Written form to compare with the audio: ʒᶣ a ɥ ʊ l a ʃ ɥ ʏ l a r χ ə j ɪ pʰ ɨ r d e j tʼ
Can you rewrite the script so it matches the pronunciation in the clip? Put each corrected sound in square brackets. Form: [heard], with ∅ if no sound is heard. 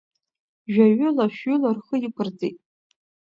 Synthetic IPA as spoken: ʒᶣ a ɥ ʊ l a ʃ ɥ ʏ l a r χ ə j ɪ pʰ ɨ r [d͡z] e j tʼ